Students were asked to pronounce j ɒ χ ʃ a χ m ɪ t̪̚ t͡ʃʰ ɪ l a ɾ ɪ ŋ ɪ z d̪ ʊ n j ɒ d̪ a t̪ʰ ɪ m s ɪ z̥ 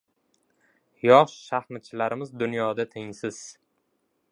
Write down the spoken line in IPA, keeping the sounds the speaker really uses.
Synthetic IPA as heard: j ɒ ʃ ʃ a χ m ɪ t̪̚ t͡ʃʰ ɪ l a ɾ ɪ m ɪ z d̪ ʊ n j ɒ d̪ a t̪ʰ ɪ ŋ s ɪ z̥